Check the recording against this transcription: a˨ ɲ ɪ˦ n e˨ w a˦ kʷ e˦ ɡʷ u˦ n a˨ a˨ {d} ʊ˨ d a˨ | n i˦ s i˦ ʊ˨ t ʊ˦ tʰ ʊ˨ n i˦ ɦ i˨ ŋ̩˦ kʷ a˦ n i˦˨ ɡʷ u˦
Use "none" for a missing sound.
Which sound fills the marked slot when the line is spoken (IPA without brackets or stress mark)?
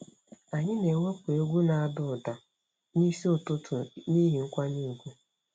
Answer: d